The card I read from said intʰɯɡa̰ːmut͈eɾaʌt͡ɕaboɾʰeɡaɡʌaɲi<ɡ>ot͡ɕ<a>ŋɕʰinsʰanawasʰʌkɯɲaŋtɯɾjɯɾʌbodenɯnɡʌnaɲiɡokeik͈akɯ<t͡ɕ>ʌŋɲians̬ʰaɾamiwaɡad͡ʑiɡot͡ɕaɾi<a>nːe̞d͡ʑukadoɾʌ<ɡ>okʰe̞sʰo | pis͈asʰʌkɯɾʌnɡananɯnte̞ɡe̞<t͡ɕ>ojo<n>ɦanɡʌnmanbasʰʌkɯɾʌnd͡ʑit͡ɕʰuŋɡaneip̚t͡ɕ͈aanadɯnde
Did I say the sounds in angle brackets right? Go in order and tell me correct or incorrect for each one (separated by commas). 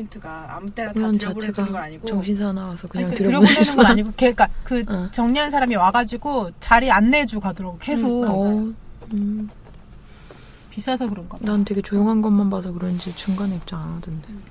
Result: correct, incorrect, correct, correct, correct, correct, incorrect